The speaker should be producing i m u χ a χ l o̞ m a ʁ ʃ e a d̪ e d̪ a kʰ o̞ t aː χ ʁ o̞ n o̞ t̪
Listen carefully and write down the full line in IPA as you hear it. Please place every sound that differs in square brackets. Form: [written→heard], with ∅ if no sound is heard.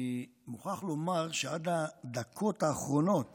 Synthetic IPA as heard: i m u χ a χ l o̞ m a ʁ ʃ e a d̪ [e→a] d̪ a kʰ o̞ t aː χ ʁ o̞ n o̞ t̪